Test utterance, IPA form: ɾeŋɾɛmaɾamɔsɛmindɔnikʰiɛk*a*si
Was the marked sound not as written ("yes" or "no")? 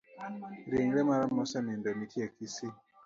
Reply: yes